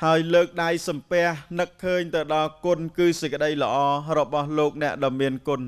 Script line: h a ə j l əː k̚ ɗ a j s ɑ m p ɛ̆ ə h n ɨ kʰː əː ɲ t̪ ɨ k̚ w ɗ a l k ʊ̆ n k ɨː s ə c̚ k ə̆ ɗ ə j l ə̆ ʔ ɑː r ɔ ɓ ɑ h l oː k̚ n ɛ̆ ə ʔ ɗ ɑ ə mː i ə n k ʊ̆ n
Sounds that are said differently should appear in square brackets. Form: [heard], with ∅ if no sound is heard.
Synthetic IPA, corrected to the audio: h a ə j l əː k̚ ɗ a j s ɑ m p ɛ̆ ə h n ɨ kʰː əː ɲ t̪ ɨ [∅] w ɗ [ɑ] l k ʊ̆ n k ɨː s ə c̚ k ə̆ ɗ ə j l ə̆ ʔ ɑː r ɔ ɓ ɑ h l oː k̚ n ɛ̆ ə ʔ ɗ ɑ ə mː i ə n k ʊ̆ n